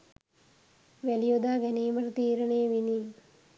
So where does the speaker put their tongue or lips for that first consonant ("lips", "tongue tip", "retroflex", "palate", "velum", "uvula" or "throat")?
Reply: lips